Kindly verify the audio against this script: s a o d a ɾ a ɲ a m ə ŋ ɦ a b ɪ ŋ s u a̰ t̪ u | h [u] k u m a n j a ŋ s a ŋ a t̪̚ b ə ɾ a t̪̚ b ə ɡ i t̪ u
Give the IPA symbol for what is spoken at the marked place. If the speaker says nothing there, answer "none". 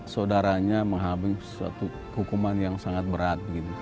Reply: u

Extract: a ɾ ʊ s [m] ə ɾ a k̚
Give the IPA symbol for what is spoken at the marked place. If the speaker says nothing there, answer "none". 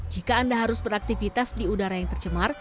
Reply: b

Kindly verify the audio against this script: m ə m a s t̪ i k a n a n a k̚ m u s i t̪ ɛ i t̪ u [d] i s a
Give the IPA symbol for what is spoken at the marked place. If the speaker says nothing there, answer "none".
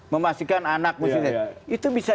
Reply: b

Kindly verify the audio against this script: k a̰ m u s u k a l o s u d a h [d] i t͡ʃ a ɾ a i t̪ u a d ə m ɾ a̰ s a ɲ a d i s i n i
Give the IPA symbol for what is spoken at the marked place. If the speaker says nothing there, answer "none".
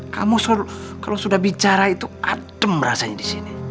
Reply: b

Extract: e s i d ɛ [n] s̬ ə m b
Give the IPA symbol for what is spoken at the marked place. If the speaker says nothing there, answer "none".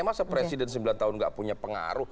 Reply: n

